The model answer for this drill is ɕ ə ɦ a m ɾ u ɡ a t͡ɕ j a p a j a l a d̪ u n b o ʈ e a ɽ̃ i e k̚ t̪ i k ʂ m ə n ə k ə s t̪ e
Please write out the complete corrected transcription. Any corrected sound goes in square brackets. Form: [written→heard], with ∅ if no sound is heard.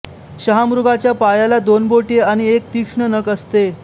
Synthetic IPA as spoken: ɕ ə ɦ a m ɾ u ɡ a t͡ɕ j a p a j a l a d̪ [u→o] n b o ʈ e a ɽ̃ i e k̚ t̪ i k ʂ [m→ɳ] ə n ə k ə s t̪ e